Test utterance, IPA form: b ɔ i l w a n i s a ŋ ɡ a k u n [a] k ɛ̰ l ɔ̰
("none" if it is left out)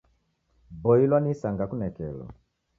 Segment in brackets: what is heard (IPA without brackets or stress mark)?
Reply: ɛ